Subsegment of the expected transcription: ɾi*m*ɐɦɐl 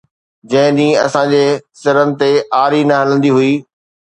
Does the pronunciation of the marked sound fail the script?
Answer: yes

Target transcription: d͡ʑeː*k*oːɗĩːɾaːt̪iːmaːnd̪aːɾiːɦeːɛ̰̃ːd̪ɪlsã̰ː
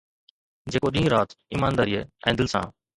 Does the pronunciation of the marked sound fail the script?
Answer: no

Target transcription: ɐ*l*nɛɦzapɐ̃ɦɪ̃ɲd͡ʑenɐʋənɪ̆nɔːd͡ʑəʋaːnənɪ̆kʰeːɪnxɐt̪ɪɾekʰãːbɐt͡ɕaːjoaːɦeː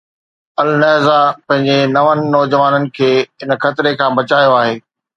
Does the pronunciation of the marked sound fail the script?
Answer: no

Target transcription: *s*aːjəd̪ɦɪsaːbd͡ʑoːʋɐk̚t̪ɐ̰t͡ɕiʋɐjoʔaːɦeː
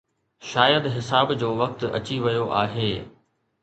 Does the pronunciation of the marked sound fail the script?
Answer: yes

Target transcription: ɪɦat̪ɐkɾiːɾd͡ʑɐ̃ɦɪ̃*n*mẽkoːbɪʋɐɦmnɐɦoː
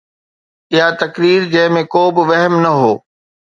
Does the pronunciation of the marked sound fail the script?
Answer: yes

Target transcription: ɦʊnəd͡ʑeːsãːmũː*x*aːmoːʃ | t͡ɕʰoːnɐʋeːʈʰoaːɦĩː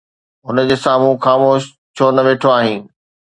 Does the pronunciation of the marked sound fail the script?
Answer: no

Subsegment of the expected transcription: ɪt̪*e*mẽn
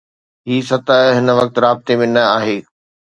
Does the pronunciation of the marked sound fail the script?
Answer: no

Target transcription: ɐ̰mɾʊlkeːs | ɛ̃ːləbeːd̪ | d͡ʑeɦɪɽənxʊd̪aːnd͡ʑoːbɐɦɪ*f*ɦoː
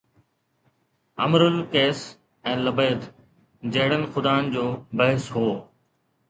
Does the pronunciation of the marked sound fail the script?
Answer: yes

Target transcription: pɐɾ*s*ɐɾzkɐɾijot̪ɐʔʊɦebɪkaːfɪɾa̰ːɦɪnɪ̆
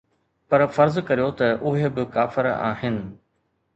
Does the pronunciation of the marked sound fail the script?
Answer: yes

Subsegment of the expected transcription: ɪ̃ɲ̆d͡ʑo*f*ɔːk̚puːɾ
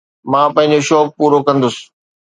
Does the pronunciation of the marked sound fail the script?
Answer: yes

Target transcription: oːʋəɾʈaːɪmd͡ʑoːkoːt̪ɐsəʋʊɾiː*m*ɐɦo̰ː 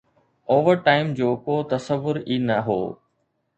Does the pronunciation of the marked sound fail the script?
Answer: yes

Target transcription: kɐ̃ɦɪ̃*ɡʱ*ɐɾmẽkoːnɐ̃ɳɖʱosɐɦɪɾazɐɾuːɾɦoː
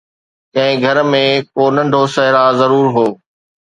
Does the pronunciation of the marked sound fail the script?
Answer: no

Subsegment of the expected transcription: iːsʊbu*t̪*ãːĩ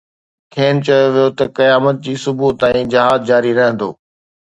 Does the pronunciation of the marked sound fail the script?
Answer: no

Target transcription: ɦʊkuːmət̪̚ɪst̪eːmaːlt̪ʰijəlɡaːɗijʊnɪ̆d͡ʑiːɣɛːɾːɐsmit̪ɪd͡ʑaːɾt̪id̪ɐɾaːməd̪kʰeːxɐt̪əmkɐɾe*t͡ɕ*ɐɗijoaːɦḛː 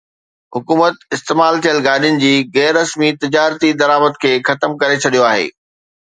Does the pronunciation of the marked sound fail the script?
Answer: yes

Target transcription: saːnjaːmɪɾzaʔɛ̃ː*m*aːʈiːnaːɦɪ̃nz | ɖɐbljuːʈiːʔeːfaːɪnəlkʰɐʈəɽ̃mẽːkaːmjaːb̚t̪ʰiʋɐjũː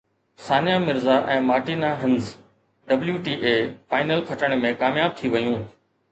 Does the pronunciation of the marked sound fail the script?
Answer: no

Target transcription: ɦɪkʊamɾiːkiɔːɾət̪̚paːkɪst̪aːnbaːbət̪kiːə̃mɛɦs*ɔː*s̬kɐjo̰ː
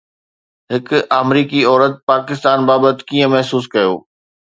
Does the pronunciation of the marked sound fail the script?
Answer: yes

